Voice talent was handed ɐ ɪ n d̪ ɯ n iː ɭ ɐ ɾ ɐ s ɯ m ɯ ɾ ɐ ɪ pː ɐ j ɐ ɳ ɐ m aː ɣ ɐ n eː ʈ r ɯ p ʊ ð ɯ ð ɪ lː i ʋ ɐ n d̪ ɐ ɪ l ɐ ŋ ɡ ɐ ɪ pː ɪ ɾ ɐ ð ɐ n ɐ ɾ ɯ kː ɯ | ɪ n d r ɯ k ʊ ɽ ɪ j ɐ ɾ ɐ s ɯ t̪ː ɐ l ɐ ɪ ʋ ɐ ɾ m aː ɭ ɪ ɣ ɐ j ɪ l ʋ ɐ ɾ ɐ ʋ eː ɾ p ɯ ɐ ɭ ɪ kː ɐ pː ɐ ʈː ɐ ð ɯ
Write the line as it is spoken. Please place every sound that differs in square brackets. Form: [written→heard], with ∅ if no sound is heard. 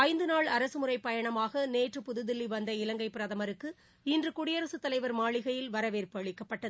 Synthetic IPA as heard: ɐ ɪ n d̪ ɯ n [iː→aː] ɭ ɐ ɾ ɐ s ɯ m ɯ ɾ ɐ ɪ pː ɐ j ɐ ɳ ɐ m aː ɣ ɐ n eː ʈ r ɯ p ʊ ð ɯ ð ɪ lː i ʋ ɐ n d̪ ɐ ɪ l ɐ ŋ ɡ ɐ ɪ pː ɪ ɾ ɐ ð ɐ [n→m] ɐ ɾ ɯ kː ɯ | ɪ n d r ɯ k ʊ ɽ ɪ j ɐ ɾ ɐ s ɯ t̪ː ɐ l ɐ ɪ ʋ ɐ ɾ m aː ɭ ɪ ɣ ɐ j ɪ l ʋ ɐ ɾ ɐ ʋ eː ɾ p ɯ ɐ ɭ ɪ kː ɐ pː ɐ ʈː ɐ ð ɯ

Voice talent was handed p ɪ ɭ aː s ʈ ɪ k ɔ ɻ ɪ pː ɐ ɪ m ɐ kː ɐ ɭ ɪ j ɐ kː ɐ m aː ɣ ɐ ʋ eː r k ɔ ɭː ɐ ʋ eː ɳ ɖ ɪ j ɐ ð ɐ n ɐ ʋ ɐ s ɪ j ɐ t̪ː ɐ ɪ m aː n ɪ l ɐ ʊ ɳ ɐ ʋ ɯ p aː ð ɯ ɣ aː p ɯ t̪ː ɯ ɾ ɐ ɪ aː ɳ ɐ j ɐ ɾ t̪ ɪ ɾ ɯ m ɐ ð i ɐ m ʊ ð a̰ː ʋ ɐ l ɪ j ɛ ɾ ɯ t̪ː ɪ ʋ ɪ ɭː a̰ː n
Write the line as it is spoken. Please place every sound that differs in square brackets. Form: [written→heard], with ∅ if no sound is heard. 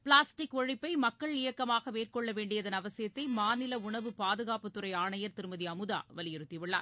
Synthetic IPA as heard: p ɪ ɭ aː s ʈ ɪ k ɔ ɻ ɪ pː ɐ ɪ m ɐ kː ɐ ɭ ɪ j ɐ kː ɐ m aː ɣ ɐ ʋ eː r k ɔ ɭː ɐ ʋ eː ɳ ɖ ɪ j ɐ ð ɐ n ɐ ʋ ɐ s ɪ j ɐ t̪ː ɐ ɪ m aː n ɪ l ɐ ʊ ɳ ɐ ʋ ɯ p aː ð ɯ ɣ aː p ɯ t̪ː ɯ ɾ ɐ ɪ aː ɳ ɐ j ɐ ɾ t̪ ɪ ɾ ɯ m ɐ ð i ɐ m [ʊ→ɯ] ð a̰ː ʋ ɐ l ɪ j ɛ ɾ ɯ t̪ː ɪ ʋ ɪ ɭː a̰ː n

